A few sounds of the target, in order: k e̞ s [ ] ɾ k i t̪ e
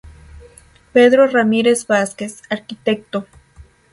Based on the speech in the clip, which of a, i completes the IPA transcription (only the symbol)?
a